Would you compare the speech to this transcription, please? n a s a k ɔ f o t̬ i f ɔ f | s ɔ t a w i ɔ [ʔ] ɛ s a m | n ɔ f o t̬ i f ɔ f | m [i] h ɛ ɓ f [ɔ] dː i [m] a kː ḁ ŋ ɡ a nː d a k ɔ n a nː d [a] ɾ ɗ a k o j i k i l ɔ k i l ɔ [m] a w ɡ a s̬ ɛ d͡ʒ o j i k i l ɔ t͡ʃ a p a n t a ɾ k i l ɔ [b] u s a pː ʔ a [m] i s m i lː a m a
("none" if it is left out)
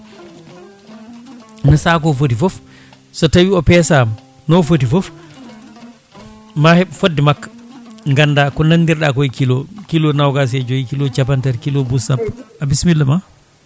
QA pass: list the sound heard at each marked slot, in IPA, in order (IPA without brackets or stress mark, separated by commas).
p, a, o, m, i, n, b, b